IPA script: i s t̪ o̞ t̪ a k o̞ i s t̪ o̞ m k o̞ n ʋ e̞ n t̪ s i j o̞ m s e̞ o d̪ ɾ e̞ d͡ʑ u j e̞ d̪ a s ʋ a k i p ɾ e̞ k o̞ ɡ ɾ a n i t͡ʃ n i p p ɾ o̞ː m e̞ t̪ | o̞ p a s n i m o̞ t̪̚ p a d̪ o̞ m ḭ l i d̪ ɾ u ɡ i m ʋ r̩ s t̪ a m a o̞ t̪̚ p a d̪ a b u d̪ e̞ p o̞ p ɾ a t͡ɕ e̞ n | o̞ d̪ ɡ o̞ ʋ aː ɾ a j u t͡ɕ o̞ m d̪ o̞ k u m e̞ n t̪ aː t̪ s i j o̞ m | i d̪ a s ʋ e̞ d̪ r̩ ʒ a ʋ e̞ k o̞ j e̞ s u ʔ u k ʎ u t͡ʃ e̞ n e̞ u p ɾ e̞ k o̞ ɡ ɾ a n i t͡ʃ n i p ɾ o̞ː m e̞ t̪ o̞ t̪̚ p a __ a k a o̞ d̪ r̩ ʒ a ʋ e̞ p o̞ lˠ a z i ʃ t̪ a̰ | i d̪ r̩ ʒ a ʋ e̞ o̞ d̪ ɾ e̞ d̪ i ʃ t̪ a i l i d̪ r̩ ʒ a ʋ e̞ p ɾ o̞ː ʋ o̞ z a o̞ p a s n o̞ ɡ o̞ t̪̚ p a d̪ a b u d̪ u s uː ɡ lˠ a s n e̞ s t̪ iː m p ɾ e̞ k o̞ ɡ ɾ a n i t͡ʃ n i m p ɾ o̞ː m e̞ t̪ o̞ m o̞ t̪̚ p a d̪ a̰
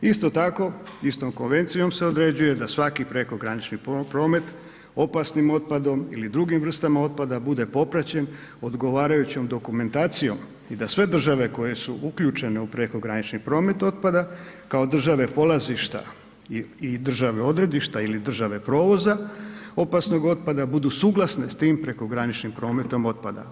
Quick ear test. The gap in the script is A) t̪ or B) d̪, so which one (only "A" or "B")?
B